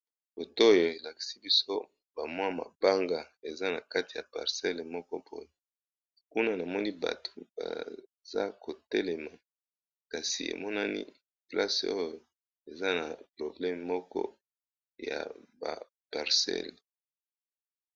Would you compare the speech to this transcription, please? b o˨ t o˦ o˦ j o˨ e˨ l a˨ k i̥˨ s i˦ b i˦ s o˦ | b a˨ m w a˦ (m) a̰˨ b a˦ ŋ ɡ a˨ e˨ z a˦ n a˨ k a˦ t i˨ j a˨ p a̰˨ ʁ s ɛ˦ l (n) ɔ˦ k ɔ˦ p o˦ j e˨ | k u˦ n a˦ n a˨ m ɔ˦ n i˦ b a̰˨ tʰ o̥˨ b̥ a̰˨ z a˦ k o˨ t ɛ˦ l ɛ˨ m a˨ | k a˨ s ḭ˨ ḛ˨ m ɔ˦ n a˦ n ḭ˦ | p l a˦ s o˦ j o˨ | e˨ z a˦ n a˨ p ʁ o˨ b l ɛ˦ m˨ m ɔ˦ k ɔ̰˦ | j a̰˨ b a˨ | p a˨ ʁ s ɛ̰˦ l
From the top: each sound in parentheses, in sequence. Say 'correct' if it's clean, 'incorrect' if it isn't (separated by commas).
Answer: correct, incorrect